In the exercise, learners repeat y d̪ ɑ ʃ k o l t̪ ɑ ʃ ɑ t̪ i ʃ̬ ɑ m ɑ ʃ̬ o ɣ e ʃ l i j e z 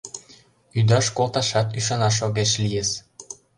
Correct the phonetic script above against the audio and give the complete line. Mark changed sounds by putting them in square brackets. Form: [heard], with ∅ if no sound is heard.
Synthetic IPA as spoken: y d̪ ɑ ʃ k o l t̪ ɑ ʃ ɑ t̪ [y] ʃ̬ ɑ [n] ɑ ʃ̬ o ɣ e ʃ l i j e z

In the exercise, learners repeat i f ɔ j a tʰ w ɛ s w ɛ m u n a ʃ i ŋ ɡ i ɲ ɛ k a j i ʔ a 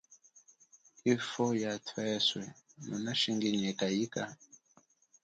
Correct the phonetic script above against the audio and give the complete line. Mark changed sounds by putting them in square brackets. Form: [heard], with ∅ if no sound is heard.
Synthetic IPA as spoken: i f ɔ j a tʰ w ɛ s w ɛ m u n a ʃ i ŋ ɡ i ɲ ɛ k a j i [k] a

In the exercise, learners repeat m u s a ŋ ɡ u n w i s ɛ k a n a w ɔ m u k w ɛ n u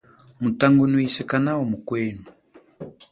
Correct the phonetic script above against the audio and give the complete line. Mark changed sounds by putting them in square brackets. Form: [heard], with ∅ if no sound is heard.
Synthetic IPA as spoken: m u [t] a ŋ ɡ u n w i s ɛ k a n a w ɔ m u k w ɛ n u

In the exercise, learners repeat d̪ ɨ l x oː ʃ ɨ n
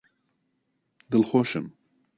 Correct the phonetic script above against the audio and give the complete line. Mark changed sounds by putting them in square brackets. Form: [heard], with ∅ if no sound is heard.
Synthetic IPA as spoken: d̪ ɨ l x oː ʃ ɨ [m]

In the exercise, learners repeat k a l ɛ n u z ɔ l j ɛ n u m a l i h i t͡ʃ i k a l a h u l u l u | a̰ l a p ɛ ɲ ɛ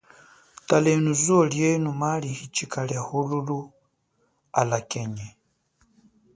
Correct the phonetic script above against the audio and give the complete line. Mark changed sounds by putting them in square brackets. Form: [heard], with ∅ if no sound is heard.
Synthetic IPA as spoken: [t] a l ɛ n u z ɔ l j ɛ n u m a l i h i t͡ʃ i k a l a h u l u l u | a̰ l a [k] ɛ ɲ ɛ

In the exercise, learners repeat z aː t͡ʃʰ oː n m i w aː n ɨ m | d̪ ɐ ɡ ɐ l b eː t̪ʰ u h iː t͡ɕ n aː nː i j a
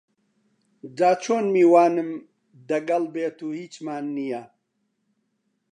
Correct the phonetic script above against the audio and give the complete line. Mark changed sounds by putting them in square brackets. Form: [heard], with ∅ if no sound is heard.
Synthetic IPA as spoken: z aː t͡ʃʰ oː n m i w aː n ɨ m | d̪ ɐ ɡ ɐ l b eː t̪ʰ u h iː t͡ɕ [m] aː nː i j a

